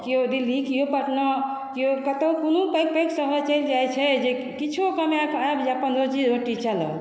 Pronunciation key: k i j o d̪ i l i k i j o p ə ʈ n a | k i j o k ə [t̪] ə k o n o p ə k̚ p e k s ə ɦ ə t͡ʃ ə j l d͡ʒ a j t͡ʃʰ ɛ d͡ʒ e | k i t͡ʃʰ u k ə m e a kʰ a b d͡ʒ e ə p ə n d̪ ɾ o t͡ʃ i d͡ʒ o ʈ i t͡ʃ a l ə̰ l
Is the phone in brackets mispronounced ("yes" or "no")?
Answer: no